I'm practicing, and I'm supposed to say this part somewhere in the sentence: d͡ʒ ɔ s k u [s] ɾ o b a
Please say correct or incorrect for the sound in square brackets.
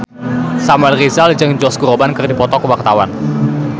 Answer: incorrect